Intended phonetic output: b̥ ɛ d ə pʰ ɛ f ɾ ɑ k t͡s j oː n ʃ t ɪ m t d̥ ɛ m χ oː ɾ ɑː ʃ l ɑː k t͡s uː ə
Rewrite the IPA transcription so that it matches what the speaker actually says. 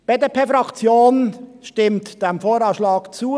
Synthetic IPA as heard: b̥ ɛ d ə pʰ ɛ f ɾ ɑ k t͡s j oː n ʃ t ɪ m t d̥ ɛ m f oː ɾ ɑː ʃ l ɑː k t͡s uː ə